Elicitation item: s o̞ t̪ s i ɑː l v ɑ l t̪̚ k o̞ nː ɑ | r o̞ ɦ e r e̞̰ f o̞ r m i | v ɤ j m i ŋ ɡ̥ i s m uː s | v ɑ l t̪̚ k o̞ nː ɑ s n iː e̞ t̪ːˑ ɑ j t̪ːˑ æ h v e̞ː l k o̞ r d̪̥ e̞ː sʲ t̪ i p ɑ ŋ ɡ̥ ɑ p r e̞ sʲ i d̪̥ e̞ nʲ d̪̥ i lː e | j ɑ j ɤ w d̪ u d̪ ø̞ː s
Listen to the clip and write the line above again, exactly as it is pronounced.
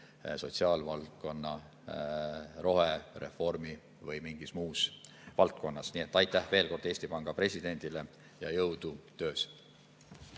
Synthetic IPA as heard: s o̞ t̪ s i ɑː l v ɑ l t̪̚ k o̞ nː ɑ | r o̞ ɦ e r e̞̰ f o̞ r m i | v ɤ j m i ŋ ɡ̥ i s m uː s | v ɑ l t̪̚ k o̞ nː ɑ s n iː e̞ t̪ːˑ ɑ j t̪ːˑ æ h v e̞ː l k o̞ r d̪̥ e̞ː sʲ t̪ i p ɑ ŋ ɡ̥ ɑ p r e̞ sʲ i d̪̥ e̞ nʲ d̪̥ i l e | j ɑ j ɤ w d̪ u t̪ ø̞ː s